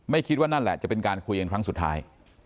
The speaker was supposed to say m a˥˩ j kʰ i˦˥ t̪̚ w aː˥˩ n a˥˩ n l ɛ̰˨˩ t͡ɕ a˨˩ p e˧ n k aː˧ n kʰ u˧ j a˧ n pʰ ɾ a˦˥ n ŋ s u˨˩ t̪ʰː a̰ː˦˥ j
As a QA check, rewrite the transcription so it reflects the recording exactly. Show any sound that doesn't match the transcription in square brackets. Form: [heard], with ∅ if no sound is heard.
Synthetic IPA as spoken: m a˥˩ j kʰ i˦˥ t̪̚ w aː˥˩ n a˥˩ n l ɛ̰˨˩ t͡ɕ a˨˩ p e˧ n k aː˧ n kʰ u˧ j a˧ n [kʰ] ɾ a˦˥ [∅] ŋ s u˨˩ t̪ʰː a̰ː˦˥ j